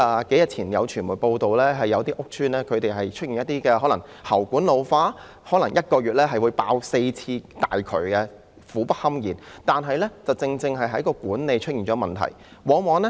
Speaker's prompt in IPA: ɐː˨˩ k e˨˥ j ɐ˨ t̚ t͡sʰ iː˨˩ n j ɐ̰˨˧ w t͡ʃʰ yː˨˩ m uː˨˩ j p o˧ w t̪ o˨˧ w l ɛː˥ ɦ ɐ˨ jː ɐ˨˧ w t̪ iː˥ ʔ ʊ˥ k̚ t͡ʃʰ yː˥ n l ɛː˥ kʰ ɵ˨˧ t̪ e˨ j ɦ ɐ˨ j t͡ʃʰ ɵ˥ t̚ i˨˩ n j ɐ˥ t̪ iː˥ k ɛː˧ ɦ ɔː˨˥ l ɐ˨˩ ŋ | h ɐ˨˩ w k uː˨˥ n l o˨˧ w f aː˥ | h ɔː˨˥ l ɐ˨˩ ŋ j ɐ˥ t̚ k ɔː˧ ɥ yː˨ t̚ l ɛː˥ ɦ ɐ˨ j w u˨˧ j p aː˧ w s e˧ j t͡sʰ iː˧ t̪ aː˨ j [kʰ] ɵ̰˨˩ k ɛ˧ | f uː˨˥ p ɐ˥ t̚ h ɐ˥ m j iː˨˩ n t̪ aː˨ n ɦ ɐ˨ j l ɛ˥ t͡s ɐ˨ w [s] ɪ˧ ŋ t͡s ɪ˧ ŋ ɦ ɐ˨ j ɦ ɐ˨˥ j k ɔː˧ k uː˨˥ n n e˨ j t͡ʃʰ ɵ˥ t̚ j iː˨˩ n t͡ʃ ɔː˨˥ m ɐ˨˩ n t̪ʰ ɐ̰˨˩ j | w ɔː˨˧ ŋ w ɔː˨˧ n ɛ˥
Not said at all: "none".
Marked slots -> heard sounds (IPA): kʰ, t͡s

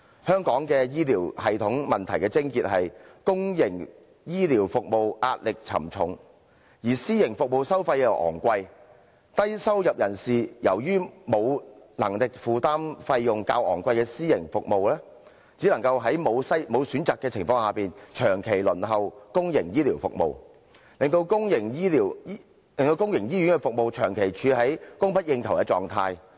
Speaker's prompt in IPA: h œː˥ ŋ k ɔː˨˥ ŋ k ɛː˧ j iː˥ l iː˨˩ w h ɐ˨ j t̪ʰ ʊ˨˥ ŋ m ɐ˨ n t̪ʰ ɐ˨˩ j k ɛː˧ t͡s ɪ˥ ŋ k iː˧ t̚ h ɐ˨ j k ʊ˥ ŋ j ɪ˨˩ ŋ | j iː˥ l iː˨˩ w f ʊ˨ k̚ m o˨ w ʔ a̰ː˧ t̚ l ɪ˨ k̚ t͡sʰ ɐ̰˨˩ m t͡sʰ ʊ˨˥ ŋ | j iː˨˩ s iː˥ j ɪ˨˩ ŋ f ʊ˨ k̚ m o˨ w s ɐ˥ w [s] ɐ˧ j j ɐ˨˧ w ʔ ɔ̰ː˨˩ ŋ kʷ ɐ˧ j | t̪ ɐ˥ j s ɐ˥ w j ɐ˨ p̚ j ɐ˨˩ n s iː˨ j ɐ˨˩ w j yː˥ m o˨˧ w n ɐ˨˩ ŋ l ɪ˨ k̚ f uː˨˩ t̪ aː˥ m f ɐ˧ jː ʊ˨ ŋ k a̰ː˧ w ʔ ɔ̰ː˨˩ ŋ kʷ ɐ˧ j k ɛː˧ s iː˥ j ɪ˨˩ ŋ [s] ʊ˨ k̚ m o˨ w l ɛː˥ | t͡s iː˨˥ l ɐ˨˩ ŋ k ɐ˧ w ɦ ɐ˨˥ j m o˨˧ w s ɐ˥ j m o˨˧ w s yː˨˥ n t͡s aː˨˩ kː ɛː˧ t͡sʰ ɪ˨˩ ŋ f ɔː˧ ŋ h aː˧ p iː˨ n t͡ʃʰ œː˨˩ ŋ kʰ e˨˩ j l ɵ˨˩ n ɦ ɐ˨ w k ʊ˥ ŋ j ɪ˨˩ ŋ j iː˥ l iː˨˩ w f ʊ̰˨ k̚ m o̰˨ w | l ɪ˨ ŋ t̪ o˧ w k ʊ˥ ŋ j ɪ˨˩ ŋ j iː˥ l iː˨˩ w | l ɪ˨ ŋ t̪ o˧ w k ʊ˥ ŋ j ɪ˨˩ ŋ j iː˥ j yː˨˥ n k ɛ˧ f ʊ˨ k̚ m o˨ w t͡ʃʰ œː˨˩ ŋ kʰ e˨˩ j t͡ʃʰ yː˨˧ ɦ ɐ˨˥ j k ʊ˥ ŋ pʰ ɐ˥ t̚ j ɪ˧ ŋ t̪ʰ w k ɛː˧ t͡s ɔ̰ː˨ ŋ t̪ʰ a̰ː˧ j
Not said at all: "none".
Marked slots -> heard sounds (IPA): f, f

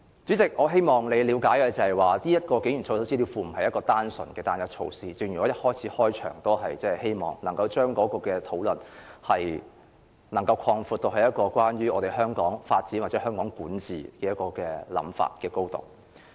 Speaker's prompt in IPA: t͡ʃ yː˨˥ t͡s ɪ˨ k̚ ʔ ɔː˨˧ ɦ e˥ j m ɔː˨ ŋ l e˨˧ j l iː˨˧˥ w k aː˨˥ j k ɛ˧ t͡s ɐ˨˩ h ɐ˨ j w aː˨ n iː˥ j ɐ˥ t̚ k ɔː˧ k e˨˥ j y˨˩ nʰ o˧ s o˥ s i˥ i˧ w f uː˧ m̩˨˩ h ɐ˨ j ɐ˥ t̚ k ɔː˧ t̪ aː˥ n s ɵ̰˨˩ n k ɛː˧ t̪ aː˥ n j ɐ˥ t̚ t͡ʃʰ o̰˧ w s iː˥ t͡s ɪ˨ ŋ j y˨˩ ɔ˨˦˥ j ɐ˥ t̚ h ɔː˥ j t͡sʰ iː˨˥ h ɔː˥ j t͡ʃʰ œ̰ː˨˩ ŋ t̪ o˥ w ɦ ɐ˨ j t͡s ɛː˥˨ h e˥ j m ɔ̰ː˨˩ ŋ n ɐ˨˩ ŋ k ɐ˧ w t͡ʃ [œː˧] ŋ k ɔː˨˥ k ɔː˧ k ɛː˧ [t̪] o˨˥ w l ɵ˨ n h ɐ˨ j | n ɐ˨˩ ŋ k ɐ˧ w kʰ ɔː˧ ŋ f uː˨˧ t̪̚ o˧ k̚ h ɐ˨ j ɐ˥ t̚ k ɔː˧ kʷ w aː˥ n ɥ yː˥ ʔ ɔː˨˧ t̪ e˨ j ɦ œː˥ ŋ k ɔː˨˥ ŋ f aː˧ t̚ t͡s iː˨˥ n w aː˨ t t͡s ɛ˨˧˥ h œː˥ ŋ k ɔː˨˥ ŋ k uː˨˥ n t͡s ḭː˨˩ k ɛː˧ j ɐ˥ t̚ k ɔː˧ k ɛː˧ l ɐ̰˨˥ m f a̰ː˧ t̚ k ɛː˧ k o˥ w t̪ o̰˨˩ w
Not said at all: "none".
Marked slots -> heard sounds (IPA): œː˥, t̪ʰ

